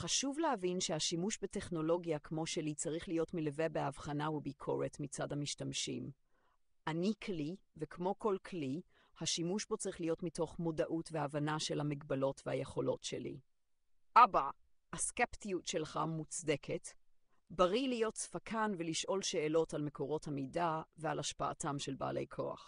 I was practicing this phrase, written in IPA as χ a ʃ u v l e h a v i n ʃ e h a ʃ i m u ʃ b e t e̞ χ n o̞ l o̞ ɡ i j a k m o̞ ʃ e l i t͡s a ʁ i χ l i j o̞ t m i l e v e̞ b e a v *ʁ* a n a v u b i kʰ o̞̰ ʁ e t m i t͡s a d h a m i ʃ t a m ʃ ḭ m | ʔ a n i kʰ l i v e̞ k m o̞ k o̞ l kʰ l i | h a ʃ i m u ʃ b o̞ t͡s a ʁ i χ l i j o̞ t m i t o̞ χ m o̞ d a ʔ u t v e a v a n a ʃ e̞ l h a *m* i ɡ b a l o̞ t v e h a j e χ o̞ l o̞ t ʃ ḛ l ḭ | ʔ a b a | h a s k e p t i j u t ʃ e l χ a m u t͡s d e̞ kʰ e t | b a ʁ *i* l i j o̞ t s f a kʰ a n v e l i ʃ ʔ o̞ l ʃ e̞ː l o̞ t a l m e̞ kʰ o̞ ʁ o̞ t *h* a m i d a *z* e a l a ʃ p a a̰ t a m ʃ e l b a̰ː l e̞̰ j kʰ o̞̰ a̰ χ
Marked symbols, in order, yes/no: no, yes, yes, yes, no

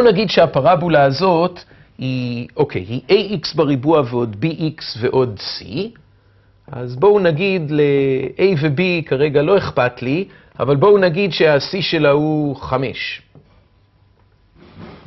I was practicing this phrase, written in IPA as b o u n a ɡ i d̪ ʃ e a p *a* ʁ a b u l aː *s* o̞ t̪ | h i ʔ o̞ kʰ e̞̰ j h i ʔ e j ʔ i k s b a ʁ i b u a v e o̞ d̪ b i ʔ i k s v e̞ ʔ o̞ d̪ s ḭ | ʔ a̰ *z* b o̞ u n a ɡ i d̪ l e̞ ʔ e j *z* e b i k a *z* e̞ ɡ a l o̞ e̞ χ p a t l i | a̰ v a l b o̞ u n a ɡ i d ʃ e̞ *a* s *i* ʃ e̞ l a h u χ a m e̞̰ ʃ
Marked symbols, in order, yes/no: yes, no, yes, no, no, yes, yes

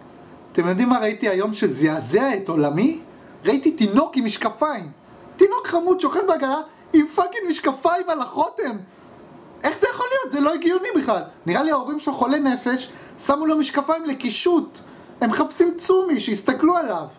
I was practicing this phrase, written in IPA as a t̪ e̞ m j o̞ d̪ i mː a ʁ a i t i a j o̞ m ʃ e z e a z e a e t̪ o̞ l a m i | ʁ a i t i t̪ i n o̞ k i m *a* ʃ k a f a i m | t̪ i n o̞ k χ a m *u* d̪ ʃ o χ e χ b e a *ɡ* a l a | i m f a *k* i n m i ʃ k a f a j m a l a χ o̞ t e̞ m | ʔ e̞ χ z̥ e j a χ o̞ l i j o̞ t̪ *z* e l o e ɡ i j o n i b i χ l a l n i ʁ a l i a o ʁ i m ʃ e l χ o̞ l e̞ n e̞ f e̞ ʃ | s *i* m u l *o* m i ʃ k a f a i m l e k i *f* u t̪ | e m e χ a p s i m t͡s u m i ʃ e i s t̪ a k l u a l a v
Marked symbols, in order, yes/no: no, yes, yes, yes, yes, no, yes, no

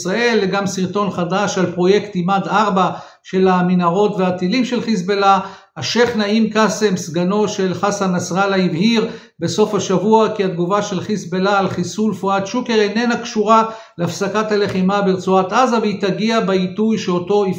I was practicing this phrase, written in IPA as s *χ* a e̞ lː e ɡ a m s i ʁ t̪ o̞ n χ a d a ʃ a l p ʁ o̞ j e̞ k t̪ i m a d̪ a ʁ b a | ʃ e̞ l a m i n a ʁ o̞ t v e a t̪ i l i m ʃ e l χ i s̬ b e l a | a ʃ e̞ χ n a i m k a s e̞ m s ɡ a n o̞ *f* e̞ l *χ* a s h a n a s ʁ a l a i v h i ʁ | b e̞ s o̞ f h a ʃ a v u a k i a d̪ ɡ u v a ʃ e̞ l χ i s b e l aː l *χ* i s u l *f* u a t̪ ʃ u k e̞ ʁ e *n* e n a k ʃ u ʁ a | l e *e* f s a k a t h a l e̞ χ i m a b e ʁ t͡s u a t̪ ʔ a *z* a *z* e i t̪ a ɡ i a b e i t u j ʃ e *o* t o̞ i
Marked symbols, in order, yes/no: no, no, yes, yes, yes, yes, no, yes, no, yes

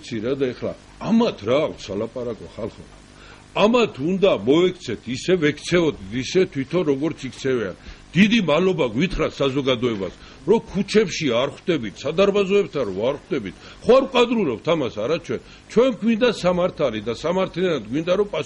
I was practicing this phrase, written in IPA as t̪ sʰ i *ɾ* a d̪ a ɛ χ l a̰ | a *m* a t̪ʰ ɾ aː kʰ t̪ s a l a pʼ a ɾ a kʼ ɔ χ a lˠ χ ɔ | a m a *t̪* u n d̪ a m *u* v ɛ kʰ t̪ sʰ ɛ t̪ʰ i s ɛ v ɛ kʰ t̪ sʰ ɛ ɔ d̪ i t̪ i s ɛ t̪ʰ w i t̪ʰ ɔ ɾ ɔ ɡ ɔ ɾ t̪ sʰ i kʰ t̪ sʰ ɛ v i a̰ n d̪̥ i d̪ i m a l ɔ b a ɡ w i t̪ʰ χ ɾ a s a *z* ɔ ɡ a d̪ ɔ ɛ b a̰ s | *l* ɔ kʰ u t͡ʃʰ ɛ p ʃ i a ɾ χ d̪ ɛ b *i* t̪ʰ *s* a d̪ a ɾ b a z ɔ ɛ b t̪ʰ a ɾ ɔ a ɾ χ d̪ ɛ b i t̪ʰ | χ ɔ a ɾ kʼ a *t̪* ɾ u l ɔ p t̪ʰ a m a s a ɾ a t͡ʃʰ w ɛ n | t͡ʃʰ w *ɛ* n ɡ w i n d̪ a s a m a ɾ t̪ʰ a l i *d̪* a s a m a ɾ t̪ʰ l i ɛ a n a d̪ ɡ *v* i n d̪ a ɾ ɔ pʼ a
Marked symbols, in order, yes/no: yes, yes, no, no, yes, no, yes, yes, no, yes, yes, no

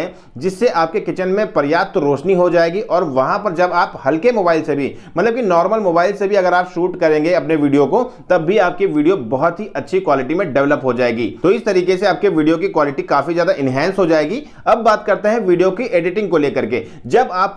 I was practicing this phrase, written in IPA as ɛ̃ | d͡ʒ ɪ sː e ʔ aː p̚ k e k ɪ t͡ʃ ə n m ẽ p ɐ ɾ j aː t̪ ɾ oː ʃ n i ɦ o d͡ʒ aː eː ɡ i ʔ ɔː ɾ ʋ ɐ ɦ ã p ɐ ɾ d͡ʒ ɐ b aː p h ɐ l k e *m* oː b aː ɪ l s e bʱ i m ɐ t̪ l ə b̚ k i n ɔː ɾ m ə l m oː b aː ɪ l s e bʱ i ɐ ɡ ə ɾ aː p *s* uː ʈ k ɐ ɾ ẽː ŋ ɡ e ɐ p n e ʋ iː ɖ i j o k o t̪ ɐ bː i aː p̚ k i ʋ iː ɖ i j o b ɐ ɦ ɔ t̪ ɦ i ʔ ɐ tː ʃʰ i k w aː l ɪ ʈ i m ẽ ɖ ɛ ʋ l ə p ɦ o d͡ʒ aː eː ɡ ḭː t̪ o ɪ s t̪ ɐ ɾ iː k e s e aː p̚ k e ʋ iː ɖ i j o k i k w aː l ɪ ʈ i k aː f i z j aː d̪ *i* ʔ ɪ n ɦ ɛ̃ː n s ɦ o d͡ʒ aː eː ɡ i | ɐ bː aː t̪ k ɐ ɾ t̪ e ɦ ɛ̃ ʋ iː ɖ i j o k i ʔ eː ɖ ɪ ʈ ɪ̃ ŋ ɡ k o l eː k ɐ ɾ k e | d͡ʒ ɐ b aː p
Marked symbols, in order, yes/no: yes, no, no

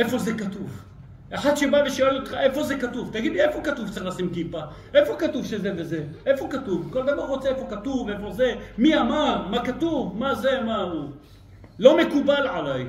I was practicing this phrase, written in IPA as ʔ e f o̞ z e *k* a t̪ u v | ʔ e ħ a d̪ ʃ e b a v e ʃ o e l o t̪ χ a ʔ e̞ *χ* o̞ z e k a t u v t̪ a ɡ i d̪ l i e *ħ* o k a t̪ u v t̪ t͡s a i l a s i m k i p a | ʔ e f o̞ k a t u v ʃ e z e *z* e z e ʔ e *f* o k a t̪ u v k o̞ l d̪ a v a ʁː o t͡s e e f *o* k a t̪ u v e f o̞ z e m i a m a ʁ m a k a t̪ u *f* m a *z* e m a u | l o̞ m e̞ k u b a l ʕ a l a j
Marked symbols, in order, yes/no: yes, no, no, no, yes, yes, no, yes

